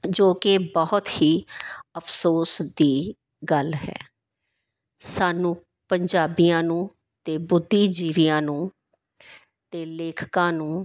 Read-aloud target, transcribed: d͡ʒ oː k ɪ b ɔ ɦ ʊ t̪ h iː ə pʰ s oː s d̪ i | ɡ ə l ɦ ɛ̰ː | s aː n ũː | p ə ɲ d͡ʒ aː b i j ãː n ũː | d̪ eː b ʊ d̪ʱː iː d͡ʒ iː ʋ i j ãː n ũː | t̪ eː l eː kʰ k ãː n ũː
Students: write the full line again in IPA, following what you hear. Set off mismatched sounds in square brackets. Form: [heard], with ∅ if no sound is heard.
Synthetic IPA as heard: d͡ʒ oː k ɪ b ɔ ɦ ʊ t̪ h iː ə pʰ s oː s d̪ [iː] | ɡ ə l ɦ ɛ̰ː | s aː n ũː | p ə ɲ d͡ʒ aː b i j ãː n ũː | [t̪] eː b ʊ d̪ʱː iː d͡ʒ iː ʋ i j ãː n ũː | t̪ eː l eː kʰ k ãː n ũː